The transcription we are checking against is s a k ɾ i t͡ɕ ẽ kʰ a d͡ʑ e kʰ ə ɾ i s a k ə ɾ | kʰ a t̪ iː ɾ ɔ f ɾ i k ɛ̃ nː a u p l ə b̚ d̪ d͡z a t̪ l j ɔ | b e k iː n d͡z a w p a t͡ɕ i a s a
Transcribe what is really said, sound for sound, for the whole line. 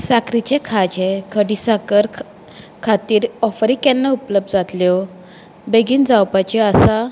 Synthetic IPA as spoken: s a k ɾ i t͡ɕ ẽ kʰ a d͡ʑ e kʰ ə ɽ i s a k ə ɾ | kʰ a t̪ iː ɾ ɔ f ɾ i k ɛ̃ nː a u p l ə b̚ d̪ d͡z a t̪ l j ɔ | b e ɡ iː n d͡z a w p a t͡ɕ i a s a